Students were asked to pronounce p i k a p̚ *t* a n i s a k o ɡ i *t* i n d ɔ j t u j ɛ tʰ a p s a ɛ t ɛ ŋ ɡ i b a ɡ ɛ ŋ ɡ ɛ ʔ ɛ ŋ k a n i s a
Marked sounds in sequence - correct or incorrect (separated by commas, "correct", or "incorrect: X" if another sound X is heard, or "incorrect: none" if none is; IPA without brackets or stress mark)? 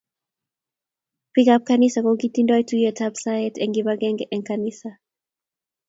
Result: incorrect: k, correct